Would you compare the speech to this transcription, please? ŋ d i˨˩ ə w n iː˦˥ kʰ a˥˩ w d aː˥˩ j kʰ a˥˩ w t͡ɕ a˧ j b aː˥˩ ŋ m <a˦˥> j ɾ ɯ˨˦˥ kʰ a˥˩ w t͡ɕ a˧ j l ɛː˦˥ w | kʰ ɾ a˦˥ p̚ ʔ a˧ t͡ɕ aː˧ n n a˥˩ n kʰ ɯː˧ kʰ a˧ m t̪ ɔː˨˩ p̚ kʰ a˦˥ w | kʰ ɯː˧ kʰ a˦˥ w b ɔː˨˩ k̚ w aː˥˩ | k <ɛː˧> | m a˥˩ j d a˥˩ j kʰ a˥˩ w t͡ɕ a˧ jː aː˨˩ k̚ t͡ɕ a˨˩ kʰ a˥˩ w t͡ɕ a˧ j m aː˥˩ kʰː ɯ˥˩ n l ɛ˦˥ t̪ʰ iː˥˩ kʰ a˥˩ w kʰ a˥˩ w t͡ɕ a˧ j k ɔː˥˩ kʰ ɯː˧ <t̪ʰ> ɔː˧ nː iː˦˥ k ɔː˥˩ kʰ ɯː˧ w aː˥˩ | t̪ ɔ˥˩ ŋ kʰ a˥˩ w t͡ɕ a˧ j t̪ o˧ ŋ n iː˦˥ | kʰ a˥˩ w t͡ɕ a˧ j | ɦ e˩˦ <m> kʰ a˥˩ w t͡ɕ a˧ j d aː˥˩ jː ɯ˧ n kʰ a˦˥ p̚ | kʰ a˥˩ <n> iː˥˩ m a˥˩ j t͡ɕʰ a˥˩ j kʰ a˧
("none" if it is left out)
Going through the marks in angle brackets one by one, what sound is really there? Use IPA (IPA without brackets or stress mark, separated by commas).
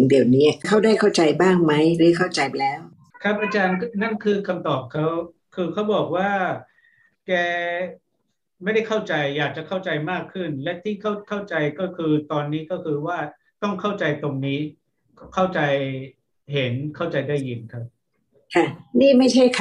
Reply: a˦˥, ɛː˧, t̪, n, n